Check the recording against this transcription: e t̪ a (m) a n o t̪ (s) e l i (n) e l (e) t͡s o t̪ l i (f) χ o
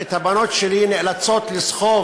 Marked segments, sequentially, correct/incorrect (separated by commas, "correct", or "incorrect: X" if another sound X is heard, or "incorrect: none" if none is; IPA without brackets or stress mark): incorrect: b, incorrect: ʃ, correct, incorrect: a, incorrect: s